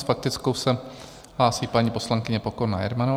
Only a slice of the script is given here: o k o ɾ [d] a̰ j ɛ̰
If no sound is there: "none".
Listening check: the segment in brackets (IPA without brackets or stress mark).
n